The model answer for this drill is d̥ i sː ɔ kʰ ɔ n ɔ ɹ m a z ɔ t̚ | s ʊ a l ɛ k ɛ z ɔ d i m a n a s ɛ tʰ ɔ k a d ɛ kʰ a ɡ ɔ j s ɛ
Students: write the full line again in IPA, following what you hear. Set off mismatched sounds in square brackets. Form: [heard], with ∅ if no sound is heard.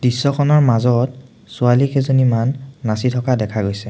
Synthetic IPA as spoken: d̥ i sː ɔ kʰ ɔ n ɔ ɹ m a z ɔ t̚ | s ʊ a l [i] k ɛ z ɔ [n] i m a [nː] a s [i] tʰ ɔ k a d ɛ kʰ a ɡ [o] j s ɛ